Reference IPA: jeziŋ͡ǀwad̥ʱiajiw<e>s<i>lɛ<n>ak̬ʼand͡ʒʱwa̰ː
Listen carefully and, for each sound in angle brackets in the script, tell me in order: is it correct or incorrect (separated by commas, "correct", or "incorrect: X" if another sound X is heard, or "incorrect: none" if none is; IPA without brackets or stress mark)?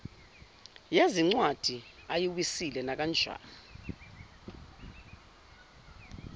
incorrect: i, correct, correct